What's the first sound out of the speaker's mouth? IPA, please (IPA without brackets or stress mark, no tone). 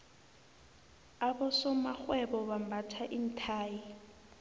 a